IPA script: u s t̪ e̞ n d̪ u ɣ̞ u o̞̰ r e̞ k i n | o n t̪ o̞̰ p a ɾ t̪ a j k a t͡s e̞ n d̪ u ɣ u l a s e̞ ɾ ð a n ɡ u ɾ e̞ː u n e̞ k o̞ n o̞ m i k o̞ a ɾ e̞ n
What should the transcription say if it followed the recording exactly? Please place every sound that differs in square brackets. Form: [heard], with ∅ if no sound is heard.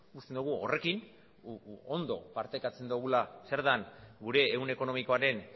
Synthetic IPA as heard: u s t̪ e̞ n d̪ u ɣ̞ u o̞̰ r e̞ k i n | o n [d̪] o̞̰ p a ɾ t̪ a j k a t͡s e̞ n d̪ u ɣ u l a s e̞ ɾ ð a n ɡ u ɾ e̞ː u n e̞ k o̞ n o̞ m i k o̞ a ɾ e̞ n